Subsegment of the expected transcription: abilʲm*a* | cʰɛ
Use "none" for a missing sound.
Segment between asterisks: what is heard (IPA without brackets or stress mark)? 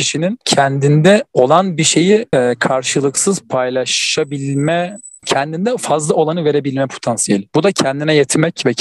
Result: ɛ